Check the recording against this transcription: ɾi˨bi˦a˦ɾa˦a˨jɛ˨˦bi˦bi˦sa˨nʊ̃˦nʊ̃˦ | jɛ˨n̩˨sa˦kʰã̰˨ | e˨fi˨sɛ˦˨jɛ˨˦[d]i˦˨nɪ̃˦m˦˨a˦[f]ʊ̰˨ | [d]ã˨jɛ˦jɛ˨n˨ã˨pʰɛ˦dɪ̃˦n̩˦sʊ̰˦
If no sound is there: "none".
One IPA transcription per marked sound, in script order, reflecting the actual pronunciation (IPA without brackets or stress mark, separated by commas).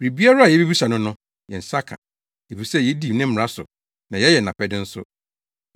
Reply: d, s, n